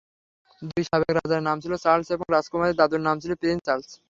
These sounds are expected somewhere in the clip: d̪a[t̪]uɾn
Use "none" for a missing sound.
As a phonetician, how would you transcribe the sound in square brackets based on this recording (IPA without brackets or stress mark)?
d̪